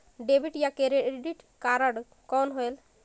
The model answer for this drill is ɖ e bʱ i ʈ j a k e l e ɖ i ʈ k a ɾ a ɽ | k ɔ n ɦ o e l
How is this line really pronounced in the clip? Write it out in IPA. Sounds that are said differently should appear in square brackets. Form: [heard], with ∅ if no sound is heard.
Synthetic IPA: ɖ e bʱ i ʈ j a k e [ɾ] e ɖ i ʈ k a ɾ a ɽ | k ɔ n ɦ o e l